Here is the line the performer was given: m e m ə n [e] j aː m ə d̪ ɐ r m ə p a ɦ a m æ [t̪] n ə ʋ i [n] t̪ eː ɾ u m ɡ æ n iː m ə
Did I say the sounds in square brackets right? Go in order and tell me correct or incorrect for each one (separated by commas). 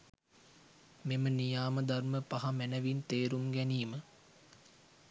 incorrect, incorrect, correct